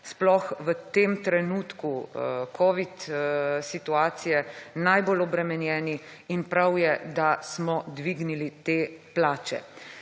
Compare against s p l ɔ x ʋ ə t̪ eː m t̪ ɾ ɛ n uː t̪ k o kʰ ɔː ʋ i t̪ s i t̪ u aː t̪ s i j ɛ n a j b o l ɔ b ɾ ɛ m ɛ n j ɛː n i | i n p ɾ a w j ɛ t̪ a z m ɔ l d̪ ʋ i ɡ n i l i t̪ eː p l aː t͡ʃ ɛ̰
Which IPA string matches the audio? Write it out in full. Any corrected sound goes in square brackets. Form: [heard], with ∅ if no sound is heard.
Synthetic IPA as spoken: s p l ɔ x ʋ ə t̪ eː m t̪ ɾ ɛ n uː t̪ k [u] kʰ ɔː ʋ i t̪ s i t̪ u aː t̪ s i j ɛ n a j b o l ɔ b ɾ ɛ m ɛ n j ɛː n i | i n p ɾ a w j ɛ [d̪] a [s] m ɔ [∅] d̪ ʋ i ɡ n i l i t̪ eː p l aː t͡ʃ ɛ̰